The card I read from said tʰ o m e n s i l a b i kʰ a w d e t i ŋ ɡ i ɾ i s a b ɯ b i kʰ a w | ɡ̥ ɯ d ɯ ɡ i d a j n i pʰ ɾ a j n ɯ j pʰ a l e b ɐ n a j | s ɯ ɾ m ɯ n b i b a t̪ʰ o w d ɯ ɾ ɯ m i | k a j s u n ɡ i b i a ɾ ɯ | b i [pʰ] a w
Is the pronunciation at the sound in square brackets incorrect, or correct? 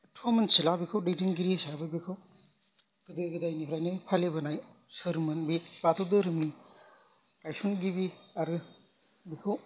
incorrect